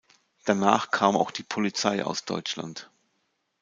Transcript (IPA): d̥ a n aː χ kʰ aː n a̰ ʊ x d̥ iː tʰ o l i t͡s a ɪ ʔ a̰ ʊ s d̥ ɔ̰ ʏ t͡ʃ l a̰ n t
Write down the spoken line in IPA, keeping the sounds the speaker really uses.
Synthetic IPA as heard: d̥ a n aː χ kʰ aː m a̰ ʊ x d̥ iː pʰ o l i t͡s a ɪ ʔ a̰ ʊ s d̥ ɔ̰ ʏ t͡ʃ l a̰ n t